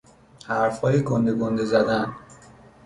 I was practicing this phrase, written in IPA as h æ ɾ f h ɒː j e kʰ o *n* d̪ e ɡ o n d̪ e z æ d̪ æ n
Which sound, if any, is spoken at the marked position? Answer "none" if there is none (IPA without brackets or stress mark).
n